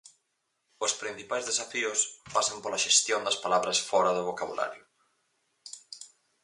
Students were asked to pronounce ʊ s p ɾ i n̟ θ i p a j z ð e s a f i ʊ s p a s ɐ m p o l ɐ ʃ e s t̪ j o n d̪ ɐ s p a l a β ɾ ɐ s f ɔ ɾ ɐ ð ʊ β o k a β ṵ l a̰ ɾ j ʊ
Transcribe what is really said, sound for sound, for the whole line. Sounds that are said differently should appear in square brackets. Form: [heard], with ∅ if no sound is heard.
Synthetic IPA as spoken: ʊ s p ɾ i n̟ θ i p a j z ð e s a f i ʊ s p a s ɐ m p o l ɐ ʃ e s t̪ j o n d̪ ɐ s p a l a β ɾ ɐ s f ɔ ɾ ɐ ð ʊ β o k a β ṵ l a̰ ɾ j ʊ